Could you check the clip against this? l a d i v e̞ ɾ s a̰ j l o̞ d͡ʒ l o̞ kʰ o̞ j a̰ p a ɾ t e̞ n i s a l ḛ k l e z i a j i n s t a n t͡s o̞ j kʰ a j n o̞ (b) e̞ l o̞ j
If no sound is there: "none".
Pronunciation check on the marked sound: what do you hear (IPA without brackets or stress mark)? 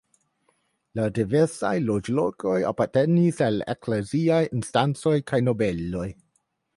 b